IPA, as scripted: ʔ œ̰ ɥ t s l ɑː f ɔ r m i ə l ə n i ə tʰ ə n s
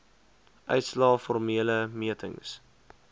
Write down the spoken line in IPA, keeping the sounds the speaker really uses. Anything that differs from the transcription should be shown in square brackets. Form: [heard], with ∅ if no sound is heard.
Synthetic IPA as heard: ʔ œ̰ ɥ t s l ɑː f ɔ r m i ə l ə [m] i ə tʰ ə [ŋ] s